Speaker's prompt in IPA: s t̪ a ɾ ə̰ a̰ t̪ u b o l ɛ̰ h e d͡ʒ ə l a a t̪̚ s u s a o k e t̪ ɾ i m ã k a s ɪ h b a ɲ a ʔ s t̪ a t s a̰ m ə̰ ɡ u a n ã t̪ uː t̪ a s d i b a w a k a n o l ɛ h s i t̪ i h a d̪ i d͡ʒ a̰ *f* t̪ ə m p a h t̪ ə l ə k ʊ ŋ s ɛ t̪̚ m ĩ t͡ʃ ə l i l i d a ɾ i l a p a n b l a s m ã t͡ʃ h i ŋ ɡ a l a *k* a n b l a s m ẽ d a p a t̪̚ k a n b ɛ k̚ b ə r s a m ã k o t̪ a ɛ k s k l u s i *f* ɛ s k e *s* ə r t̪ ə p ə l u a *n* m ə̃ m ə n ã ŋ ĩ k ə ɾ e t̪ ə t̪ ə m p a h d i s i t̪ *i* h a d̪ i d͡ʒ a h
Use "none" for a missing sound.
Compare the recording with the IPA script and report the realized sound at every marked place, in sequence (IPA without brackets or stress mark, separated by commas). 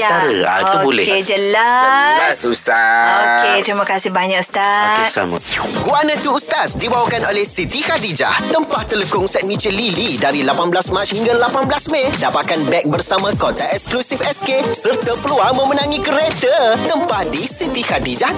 h, p, f, s, ŋ, i